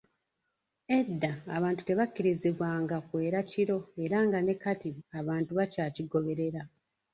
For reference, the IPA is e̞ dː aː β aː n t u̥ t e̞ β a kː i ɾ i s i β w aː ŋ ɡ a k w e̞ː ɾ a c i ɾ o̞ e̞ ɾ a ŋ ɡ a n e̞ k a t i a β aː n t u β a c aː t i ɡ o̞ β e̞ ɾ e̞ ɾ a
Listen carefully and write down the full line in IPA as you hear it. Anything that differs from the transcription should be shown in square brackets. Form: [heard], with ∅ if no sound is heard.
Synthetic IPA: e̞ dː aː β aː n t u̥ t e̞ β a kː i ɾ i [z] i β w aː ŋ ɡ a k w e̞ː ɾ a c i ɾ o̞ e̞ ɾ a ŋ ɡ a n e̞ k a t i a β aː n t u β a c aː [c] i ɡ o̞ β e̞ ɾ e̞ ɾ a